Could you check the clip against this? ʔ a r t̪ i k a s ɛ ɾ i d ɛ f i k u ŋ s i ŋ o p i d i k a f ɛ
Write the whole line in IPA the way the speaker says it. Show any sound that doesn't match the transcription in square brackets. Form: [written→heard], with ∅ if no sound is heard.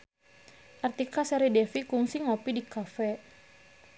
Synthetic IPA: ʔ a r t̪ i k a s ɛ ɾ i d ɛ f i k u ŋ s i ŋ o p i d i k a f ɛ